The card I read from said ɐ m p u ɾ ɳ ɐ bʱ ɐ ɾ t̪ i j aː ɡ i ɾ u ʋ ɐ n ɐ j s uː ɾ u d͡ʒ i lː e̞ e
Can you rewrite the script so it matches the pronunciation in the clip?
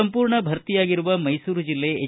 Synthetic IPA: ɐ m p uː ɾ ɳ ɐ bʱ ɐ ɾ t̪ i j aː ɡ i ɾ u ʋ ɐ m ɐ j s uː ɾ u d͡ʒ i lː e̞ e